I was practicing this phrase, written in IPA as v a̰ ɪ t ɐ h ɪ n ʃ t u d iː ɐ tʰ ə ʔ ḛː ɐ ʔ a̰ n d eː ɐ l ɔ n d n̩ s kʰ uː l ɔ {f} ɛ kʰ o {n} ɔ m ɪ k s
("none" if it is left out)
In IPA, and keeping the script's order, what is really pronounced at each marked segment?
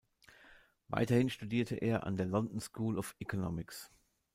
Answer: f, n

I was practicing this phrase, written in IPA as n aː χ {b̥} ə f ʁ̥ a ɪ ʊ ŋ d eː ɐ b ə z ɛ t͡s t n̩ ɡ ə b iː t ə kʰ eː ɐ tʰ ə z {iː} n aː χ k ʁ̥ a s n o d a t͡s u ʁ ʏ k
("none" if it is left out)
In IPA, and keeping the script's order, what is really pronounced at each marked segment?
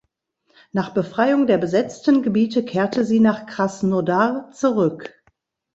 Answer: b̥, iː

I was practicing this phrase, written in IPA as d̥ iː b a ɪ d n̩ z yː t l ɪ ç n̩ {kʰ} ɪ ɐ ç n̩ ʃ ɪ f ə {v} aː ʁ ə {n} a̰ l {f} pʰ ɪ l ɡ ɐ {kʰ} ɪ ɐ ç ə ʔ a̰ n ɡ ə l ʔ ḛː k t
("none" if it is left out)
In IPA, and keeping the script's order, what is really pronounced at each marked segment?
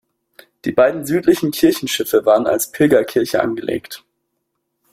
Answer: kʰ, v, n, s, kʰ

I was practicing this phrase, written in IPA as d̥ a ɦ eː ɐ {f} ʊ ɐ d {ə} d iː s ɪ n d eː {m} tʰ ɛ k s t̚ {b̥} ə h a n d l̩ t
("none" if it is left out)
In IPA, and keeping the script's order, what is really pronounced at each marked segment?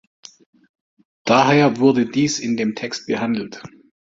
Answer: v, ə, m, b̥

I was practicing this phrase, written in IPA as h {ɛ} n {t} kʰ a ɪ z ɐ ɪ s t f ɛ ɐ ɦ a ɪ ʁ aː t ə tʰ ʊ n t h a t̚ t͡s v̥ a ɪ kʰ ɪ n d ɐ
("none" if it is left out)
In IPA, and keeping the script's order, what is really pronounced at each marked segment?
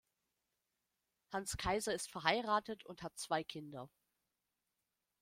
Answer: a, s

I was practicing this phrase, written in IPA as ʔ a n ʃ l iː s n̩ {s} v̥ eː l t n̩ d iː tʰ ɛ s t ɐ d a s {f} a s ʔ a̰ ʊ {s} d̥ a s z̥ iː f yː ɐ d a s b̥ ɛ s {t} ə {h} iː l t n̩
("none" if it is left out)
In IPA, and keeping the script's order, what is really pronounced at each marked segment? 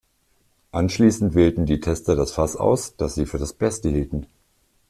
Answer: t, f, s, t, h

